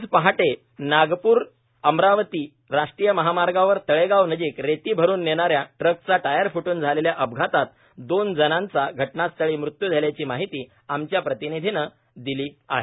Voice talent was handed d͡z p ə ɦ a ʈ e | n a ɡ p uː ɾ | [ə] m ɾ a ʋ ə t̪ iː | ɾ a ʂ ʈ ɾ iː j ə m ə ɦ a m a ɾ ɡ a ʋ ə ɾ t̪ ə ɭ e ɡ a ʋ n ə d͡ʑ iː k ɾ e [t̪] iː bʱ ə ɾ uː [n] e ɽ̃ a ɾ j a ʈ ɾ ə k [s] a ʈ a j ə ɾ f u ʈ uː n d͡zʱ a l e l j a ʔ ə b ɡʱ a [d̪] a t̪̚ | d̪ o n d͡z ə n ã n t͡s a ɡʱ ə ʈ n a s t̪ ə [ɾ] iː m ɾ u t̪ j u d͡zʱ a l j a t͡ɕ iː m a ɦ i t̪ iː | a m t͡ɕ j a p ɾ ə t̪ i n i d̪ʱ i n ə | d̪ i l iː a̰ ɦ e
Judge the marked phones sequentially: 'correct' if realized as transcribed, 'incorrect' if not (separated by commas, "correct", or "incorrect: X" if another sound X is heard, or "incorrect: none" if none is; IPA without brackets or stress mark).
correct, correct, incorrect: nː, incorrect: t͡s, incorrect: t̪, incorrect: ɭ